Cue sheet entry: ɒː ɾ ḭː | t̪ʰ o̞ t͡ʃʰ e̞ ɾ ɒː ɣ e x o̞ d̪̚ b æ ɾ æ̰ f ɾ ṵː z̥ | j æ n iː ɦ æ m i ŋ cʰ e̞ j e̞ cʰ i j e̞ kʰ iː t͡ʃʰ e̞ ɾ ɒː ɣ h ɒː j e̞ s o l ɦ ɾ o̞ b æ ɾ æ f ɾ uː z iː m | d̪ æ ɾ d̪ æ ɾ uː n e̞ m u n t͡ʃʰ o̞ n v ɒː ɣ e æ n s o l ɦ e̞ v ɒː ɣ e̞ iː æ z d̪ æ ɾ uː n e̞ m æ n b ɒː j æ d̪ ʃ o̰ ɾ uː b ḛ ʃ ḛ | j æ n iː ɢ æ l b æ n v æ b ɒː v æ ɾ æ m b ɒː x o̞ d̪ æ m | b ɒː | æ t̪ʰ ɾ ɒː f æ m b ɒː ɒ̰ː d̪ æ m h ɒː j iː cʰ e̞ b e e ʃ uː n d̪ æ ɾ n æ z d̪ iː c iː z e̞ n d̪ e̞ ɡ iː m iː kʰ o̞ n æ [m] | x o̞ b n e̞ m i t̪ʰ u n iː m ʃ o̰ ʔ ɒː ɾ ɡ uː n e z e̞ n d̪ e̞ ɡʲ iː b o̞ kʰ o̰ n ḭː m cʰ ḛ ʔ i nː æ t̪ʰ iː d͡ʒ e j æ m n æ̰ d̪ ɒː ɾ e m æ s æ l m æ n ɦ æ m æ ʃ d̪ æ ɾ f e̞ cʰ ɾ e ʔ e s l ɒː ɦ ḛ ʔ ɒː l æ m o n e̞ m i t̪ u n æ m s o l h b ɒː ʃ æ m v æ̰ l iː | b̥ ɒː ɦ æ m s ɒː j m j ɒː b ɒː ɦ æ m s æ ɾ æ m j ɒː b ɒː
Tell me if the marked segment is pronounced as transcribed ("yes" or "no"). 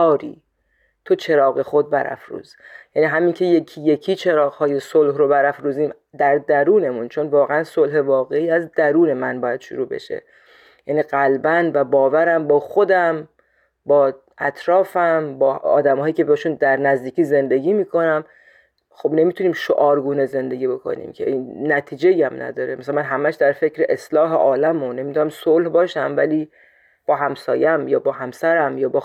yes